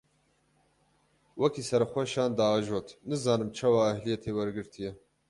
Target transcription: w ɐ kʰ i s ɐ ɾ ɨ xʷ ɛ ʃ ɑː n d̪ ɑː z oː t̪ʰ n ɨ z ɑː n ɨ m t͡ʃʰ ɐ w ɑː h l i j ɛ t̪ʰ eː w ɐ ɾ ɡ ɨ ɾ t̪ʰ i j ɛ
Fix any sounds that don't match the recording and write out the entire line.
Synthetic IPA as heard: w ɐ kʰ i s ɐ ɾ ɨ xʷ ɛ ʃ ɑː n d̪ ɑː ʒ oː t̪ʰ n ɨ z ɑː n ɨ m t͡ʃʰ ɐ w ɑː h l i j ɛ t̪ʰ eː w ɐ ɾ ɡ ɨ ɾ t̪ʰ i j ɛ